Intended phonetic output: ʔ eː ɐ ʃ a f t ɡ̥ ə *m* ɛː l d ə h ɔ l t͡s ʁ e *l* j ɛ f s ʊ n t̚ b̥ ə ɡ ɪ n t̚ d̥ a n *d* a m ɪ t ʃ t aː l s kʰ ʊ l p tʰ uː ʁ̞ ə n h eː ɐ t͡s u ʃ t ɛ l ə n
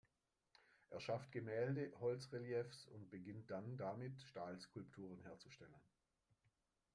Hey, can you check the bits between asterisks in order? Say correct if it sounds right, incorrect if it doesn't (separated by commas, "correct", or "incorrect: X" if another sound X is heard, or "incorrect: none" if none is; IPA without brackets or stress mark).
correct, correct, correct